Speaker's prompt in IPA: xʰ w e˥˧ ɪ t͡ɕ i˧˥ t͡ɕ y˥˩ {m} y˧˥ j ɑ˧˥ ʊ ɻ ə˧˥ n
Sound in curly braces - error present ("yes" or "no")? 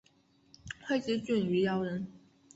yes